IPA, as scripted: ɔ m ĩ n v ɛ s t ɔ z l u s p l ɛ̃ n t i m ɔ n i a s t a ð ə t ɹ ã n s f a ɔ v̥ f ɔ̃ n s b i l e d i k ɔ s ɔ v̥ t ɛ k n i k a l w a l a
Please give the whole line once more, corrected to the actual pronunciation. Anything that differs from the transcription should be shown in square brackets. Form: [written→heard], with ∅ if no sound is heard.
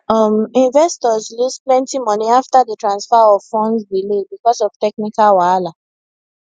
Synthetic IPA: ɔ m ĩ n v ɛ s t ɔ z l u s p l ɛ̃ n t i m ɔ n i a [s→f] t a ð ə t ɹ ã n s f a ɔ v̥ f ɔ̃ n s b i l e [d→b] i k ɔ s ɔ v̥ t ɛ k n i k a l w a l a